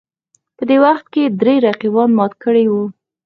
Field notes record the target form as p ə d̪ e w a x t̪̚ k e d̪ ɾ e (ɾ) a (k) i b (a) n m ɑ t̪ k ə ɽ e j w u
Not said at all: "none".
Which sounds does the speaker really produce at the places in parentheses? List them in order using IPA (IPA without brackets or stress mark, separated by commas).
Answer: ɾ, q, ɑ